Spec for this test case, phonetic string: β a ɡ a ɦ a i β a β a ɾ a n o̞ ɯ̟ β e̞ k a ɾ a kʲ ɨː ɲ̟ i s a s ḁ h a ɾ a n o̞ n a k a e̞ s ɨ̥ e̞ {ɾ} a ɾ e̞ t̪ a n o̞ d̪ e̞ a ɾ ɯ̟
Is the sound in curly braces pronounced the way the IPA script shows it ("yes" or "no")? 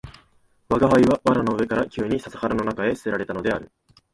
yes